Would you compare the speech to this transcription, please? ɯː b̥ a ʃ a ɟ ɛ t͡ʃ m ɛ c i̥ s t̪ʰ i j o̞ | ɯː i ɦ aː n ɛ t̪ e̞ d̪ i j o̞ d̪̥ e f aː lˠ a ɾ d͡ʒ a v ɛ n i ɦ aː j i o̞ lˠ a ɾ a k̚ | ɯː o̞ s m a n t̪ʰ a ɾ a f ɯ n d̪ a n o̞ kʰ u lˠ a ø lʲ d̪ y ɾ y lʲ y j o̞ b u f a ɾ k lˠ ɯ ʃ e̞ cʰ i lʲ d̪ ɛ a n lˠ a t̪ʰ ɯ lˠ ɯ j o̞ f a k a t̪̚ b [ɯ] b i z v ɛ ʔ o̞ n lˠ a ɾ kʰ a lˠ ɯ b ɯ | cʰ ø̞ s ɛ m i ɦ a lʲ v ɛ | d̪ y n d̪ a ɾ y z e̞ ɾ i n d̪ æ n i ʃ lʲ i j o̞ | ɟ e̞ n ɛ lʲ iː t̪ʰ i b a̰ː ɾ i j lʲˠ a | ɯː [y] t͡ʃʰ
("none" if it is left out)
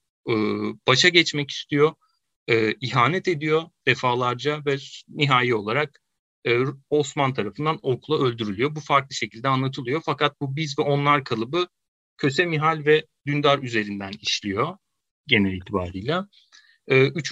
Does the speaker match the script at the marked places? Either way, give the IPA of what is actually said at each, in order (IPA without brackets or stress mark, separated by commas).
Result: u, y